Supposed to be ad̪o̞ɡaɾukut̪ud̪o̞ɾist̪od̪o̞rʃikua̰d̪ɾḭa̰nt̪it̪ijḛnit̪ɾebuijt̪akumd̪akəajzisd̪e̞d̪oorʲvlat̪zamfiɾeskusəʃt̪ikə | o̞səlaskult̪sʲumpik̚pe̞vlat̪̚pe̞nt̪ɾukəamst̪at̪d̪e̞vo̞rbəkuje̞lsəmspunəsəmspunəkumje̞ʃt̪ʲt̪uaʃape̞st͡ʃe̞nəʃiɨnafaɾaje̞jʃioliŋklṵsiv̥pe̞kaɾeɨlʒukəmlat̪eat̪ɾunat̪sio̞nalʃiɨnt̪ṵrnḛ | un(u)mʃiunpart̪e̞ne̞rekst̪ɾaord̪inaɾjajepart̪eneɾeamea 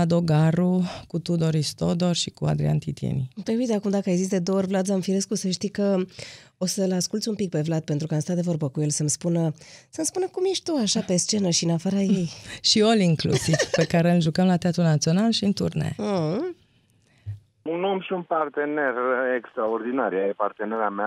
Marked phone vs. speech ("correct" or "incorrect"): incorrect